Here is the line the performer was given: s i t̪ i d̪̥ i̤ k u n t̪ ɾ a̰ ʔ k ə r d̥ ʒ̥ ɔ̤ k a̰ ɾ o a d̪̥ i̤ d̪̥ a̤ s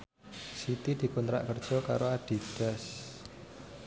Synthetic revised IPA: s i t̪ i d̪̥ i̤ k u n t̪ ɾ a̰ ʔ k ə r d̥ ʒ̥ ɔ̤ k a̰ ɾ o a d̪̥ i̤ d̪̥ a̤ s